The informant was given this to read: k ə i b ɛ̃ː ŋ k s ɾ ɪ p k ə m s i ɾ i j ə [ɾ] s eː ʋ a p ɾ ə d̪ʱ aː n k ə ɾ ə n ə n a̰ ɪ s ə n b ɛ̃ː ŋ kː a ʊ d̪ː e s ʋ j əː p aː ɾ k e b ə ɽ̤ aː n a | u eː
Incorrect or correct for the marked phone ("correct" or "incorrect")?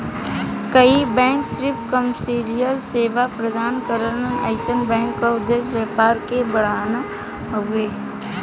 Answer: incorrect